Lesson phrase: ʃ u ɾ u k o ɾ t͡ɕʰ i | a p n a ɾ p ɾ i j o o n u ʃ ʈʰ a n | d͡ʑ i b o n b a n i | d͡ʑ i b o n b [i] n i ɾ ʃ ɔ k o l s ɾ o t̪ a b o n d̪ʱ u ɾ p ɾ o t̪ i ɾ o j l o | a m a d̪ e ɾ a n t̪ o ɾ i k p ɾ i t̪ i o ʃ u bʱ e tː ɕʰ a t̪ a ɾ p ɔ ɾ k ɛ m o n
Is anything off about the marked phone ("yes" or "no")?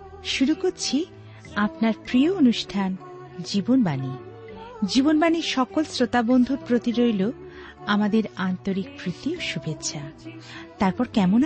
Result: yes